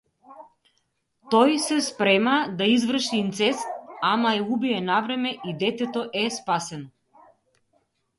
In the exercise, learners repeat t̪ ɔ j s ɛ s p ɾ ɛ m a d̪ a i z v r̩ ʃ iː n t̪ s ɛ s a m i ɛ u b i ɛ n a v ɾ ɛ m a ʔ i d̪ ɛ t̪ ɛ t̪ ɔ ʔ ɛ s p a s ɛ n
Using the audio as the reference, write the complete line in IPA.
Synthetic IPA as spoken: t̪ ɔ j s ɛ s p ɾ ɛ m a d̪ a i z v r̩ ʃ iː n t̪ s ɛ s a m a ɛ u b i ɛ n a v ɾ ɛ m ɛ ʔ i d̪ ɛ t̪ ɛ t̪ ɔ ʔ ɛ s p a s ɛ n